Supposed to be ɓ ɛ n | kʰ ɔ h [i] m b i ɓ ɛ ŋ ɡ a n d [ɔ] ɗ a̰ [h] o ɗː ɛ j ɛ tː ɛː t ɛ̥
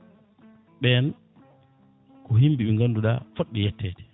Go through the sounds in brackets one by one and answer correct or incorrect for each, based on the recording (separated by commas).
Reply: correct, incorrect, incorrect